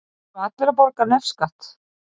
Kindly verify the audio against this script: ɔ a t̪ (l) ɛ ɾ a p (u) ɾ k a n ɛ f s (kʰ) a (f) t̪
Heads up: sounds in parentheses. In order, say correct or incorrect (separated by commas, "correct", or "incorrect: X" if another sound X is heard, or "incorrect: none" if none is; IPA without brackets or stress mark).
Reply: correct, incorrect: ɔ, incorrect: k, incorrect: h